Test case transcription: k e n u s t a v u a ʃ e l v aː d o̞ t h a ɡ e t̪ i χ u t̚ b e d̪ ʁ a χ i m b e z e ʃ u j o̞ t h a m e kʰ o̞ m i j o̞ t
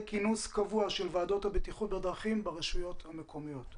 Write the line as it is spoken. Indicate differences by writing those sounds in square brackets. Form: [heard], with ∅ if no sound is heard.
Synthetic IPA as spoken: k [i] n u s [k] a v u a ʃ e l v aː d o̞ t h a [b] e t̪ i χ u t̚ b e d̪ ʁ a χ i m b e [ʁ] e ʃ u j o̞ t h a m e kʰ o̞ m i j o̞ t